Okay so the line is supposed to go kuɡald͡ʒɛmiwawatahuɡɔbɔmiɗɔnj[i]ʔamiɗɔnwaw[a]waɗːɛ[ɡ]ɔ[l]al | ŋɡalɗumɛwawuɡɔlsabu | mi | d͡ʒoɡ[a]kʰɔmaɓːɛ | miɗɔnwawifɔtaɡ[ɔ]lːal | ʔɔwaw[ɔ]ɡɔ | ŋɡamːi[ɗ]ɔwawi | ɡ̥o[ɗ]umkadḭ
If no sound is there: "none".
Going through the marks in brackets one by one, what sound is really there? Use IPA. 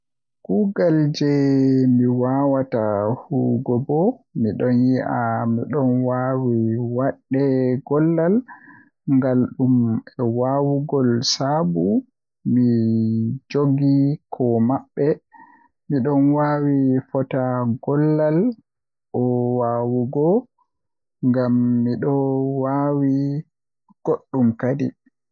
i, i, ɡ, lː, i, ɔ, u, ɗ, ɗː

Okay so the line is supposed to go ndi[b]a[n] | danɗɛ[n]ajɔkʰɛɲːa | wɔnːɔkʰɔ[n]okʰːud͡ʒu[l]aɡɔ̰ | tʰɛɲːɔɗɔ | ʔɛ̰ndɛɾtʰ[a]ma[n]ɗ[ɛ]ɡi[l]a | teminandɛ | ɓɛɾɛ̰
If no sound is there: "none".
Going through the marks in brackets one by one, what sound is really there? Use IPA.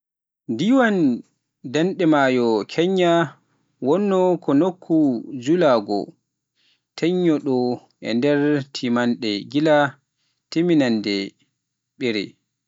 w, n, m, n, l, i, n, ɛ, l

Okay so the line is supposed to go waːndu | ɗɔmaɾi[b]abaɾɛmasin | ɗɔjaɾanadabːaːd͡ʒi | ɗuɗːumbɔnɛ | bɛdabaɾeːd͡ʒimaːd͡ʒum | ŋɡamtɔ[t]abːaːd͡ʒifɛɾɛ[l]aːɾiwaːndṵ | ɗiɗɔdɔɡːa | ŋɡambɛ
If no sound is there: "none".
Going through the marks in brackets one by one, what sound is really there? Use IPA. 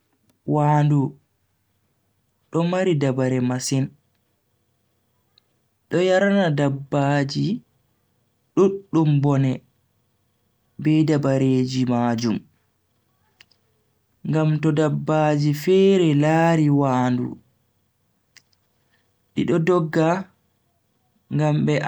d, d, l

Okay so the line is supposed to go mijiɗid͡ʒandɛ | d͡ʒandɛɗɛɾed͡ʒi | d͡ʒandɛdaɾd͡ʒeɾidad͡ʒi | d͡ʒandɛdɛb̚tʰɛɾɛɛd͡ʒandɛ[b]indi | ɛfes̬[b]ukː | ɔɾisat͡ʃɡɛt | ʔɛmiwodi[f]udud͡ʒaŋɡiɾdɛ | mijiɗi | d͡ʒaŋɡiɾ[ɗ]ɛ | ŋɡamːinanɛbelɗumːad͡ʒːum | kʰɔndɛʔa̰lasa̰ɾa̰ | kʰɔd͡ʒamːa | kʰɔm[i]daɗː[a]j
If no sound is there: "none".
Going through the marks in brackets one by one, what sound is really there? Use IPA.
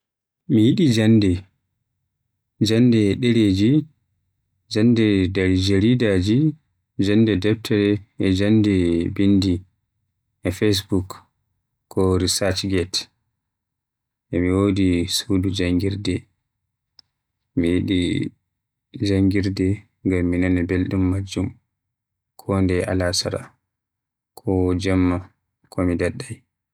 b, b, s, d, i, a

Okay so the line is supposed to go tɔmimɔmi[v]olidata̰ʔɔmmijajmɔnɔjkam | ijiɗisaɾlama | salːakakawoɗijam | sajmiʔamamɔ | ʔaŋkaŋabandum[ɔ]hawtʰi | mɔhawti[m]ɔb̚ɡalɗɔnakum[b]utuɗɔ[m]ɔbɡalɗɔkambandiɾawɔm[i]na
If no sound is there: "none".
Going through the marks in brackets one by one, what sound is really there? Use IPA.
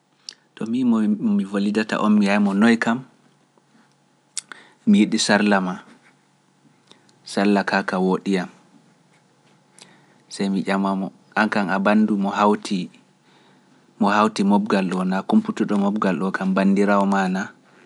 v, ɔ, m, p, m, a

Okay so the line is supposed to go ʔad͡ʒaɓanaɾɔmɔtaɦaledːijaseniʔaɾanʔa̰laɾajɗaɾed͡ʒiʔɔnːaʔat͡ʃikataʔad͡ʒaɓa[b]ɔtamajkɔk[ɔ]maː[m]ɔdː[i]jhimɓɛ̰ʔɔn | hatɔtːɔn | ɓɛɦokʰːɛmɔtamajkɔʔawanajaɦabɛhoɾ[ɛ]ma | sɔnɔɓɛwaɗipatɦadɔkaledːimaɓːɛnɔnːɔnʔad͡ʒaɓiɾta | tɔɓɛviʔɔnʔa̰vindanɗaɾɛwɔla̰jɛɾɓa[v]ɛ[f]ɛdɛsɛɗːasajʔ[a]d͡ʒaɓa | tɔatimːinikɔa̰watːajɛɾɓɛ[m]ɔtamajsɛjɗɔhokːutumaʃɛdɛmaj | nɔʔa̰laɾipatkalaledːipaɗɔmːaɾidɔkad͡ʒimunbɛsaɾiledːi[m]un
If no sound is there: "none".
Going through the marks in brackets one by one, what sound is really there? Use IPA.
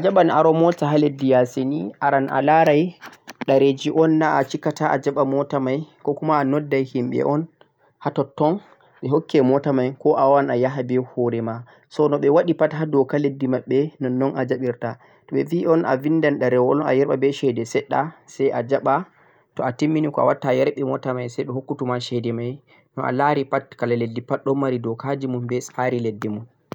m, u, n, a, ɛ, b, ʃ, a, m, m

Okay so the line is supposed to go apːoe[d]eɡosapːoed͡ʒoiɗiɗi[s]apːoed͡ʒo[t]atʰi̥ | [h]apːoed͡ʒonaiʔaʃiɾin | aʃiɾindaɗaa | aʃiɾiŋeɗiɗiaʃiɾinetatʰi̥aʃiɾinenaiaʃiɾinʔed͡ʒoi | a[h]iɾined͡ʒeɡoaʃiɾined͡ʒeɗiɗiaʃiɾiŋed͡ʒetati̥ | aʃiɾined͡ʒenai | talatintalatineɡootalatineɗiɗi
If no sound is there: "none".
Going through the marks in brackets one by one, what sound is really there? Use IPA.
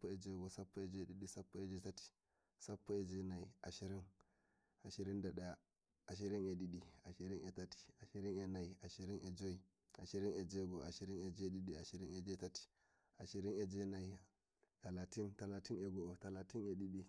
d͡ʒ, s, t, s, ʃ

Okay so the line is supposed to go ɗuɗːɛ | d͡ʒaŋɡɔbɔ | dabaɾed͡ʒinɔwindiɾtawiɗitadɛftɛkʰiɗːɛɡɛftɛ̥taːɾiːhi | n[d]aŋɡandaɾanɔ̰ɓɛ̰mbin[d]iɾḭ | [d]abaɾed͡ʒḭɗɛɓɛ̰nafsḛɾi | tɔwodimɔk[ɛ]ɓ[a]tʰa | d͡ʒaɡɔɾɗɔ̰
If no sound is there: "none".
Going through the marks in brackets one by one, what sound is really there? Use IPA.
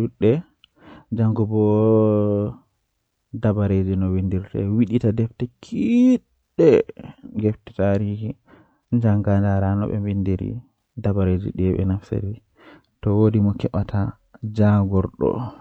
d͡ʒ, d, d, ɛ, a

